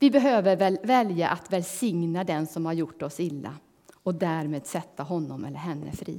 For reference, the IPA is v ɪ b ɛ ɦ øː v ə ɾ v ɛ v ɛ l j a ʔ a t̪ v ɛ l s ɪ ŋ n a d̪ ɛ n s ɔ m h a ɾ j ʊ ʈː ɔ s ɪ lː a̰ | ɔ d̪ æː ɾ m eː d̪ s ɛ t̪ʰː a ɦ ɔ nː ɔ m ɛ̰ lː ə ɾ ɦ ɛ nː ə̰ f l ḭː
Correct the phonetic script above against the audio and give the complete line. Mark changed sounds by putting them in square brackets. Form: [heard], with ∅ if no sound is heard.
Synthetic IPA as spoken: v ɪ b ɛ ɦ øː v ə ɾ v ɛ v ɛ l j a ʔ a t̪ v ɛ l s ɪ ŋ n a d̪ ɛ n s ɔ m h a ɾ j ʊ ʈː ɔ s ɪ lː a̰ | ɔ d̪ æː ɾ m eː d̪ s ɛ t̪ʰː a ɦ ɔ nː ɔ m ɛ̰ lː ə ɾ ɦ ɛ nː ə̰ f [ɾ] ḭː